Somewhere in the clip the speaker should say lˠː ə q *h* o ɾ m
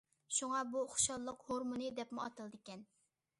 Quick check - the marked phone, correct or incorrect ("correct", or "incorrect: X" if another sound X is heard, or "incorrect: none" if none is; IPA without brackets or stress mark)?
correct